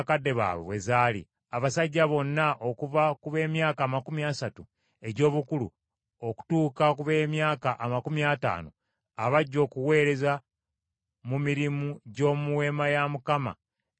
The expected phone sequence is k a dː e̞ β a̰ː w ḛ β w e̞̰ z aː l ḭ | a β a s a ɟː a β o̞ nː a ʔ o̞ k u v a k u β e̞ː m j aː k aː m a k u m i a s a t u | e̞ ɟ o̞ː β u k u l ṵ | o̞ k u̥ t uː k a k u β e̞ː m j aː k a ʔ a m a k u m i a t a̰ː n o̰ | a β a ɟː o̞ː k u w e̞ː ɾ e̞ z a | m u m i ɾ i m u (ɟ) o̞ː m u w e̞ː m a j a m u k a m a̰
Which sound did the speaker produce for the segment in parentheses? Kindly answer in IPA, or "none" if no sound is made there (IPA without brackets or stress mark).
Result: ɟ